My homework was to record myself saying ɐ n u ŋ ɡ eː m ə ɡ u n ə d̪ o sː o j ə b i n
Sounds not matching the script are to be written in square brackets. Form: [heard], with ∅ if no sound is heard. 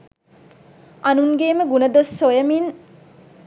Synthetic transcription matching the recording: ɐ n u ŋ ɡ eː m ə ɡ u n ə d̪ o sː o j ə [m] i n